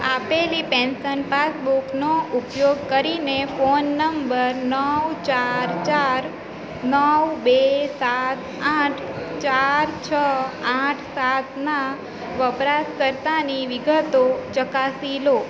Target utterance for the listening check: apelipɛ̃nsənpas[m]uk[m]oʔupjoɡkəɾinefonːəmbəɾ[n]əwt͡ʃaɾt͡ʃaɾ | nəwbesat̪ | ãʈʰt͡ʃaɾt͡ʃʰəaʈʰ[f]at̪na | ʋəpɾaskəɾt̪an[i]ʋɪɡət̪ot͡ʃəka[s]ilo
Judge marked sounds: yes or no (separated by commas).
no, no, yes, no, yes, yes